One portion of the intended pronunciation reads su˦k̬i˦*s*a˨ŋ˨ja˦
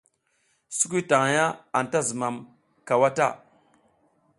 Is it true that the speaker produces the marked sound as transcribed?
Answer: no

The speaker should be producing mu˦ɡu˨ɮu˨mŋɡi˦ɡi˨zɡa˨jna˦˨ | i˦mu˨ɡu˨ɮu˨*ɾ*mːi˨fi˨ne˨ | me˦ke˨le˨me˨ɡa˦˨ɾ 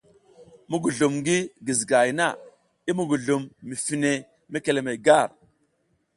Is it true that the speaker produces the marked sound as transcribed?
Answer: no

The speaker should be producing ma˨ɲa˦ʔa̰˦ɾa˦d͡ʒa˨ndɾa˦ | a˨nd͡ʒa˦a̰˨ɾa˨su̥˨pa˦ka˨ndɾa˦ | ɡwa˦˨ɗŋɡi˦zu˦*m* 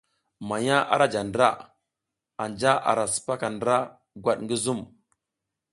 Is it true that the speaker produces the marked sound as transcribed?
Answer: yes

